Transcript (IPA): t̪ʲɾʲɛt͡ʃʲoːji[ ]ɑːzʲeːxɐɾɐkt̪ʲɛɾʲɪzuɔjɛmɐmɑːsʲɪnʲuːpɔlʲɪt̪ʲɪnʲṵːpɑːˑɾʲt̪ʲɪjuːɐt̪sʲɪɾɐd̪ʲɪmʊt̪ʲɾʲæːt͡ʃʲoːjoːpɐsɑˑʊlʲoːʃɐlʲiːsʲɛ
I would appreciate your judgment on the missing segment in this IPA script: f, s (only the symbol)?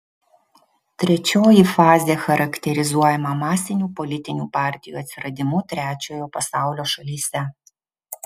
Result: f